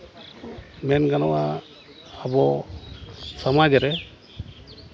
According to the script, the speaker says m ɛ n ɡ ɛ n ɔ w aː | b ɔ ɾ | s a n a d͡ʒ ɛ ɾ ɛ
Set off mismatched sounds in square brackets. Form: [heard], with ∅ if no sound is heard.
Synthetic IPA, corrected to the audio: m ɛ n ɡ [a] n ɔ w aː | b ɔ [∅] | s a [m] a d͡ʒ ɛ ɾ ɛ